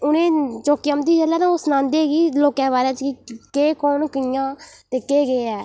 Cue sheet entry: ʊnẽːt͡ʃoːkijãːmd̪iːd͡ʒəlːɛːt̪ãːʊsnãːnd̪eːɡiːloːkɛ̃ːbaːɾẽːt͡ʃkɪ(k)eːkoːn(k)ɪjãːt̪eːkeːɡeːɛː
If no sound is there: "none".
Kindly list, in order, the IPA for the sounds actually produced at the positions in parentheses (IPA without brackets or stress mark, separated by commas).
k, k